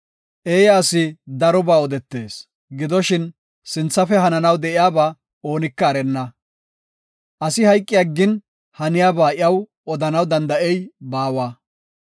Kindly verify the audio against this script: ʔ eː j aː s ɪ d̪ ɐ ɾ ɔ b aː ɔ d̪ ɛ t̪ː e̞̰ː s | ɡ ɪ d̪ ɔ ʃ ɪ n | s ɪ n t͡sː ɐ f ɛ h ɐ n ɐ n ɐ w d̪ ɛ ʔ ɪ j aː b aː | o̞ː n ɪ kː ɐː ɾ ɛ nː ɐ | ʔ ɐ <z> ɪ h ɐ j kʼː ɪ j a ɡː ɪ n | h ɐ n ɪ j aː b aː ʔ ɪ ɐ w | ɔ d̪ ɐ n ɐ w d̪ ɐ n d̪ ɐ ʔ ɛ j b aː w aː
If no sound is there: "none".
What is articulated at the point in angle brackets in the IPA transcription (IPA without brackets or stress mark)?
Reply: s